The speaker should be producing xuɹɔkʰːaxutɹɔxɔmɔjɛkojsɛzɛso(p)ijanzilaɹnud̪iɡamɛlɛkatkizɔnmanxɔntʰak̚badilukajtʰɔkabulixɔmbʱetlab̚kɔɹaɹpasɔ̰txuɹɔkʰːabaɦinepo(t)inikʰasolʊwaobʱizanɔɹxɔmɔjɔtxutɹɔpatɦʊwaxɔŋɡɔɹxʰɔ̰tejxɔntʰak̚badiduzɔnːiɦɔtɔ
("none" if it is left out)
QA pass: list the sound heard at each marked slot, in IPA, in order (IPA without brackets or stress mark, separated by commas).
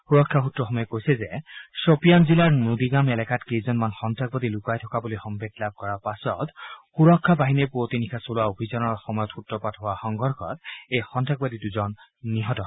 p, t